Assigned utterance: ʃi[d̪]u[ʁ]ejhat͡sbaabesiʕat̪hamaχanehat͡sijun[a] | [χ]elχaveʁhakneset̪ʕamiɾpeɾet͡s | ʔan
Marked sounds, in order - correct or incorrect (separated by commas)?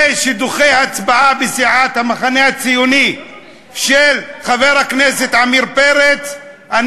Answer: correct, incorrect, incorrect, incorrect